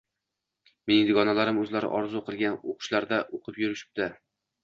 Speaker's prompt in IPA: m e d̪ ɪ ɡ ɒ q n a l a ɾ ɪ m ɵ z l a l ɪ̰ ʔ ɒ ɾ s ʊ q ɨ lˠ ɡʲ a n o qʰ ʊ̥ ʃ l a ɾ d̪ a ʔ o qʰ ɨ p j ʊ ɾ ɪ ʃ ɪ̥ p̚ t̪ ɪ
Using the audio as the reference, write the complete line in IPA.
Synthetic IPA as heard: m e d̪ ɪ ɡ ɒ n a l a ɾ ɪ m ɵ z l a ɾ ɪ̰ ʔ ɒ ɾ z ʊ q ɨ lˠ ɡʲ a n o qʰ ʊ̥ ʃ l a ɾ d̪ a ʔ o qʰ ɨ p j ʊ ɾ ɪ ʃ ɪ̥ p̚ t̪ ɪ

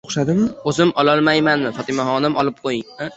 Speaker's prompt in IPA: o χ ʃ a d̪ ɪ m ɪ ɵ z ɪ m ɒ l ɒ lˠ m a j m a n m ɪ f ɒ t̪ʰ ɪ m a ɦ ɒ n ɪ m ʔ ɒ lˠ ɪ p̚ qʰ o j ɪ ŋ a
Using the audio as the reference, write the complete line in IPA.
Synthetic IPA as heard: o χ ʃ a d̪ ɪ m ɪ ɵ z ɪ m ɒ l ɒ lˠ m a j m a n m ɪ f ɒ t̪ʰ ɪ m a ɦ ɒ n ɪ m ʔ ɒ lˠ ɪ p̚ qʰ o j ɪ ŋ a

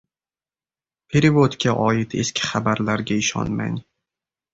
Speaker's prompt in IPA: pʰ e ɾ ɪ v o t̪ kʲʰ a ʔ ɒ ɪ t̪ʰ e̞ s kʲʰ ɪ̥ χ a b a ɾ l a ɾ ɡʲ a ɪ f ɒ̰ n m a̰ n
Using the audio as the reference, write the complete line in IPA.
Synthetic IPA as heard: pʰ e ɾ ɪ v o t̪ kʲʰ a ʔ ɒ ɪ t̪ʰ e̞ s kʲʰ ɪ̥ χ a b a ɾ l a ɾ ɡʲ a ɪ ʃ ɒ̰ n m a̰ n

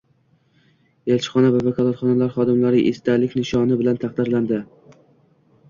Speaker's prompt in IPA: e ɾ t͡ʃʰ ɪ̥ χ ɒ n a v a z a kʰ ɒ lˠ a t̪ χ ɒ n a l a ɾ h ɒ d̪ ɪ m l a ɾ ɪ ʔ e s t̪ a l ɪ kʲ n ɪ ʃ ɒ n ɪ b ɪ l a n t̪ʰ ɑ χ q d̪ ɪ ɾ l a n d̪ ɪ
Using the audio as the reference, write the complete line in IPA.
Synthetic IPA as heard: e l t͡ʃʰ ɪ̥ χ ɒ n a v a v a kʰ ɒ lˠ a t̪ χ ɒ n a l a ɾ χ ɒ d̪ ɪ m l a ɾ ɪ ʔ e s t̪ a l ɪ kʲ n ɪ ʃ ɒ n ɪ b ɪ l a n t̪ʰ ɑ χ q d̪ ɪ ɾ l a n d̪ ɪ

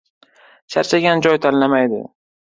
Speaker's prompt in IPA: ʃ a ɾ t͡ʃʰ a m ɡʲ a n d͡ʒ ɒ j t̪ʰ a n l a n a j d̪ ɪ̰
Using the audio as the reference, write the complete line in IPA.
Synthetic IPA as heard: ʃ a ɾ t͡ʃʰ a ɡʲ a n d͡ʒ ɒ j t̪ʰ a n l a m a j d̪ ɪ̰

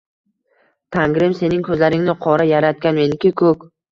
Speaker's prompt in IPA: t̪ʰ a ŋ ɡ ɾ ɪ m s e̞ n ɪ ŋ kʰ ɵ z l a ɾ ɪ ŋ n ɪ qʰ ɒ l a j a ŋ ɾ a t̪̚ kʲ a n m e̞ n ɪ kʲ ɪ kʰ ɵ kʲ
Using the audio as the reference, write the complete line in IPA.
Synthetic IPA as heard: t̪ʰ a ŋ ɡ ɾ ɪ m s e̞ n ɪ ŋ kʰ ɵ z l a ɾ ɪ ŋ n ɪ qʰ ɒ ɾ a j a ɾ a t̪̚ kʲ a n m e̞ n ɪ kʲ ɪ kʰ ɵ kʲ

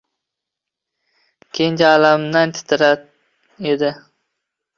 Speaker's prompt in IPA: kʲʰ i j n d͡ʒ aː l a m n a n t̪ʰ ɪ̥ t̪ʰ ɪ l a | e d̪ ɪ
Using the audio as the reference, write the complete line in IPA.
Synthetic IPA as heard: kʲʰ e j n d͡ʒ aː l a m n a n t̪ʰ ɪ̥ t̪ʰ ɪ ɾ a | e d̪ ɪ

